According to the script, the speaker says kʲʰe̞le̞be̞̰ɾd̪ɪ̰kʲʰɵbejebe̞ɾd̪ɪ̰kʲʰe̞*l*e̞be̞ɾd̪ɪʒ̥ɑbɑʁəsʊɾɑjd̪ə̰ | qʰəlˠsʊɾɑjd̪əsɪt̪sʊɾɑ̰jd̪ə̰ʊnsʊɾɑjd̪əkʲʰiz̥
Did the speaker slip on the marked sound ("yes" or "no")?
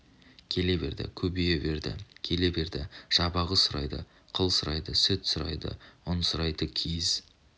no